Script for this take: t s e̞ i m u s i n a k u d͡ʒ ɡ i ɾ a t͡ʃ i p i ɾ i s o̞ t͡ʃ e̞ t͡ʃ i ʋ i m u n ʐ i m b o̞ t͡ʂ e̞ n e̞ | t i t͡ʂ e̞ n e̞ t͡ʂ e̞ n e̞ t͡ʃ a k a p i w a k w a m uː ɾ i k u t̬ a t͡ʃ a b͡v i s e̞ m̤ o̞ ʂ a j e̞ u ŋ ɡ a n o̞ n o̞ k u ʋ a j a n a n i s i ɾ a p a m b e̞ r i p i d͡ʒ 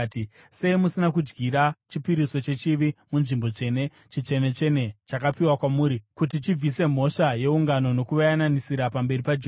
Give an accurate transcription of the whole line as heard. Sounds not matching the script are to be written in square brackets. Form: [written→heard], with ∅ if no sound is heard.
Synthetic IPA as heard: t s e̞ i m u s i n a k u d͡ʒ ɡ i ɾ a t͡ʃ i p i ɾ i s o̞ t͡ʃ e̞ t͡ʃ i ʋ i m u n ʐ i m b o̞ t͡ʂ e̞ n e̞ | [t→t͡ʃ] i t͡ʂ e̞ n e̞ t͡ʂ e̞ n e̞ t͡ʃ a k a p i w a k w a m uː ɾ i k u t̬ [a→i] t͡ʃ [a→i] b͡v i s e̞ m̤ o̞ ʂ a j e̞ u ŋ ɡ a n o̞ n o̞ k u ʋ a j a n a n i s i ɾ a p a m b e̞ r i p [i→a] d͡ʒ